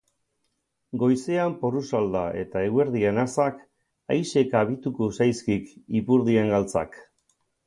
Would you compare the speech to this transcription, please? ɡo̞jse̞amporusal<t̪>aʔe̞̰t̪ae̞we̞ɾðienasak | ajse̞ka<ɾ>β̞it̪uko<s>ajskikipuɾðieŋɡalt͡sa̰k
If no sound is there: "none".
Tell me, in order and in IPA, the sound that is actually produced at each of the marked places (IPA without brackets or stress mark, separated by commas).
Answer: d̪, none, s